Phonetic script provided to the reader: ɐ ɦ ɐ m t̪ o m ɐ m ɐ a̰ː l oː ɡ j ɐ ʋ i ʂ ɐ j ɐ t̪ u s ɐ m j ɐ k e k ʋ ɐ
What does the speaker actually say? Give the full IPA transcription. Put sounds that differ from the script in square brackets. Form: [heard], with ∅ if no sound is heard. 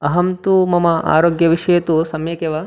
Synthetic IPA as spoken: ɐ ɦ ɐ m t̪ [u] m ɐ m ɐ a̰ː [ɾ] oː ɡ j ɐ ʋ i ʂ ɐ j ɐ t̪ u s ɐ m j ɐ k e [∅] ʋ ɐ